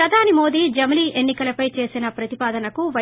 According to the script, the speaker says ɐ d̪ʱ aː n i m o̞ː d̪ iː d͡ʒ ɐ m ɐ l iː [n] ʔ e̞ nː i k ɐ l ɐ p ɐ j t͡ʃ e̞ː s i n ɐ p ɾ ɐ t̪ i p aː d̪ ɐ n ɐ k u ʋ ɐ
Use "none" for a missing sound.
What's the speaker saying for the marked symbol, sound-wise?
none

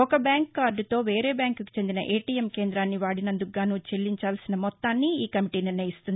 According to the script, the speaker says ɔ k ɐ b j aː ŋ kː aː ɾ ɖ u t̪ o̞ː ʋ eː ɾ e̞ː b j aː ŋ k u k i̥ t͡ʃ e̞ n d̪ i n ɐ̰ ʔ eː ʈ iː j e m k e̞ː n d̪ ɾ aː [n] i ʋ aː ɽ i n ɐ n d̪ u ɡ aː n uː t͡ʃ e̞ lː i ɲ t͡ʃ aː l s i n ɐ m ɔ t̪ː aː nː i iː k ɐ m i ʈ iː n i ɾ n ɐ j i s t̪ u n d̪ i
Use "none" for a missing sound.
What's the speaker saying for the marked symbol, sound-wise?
nː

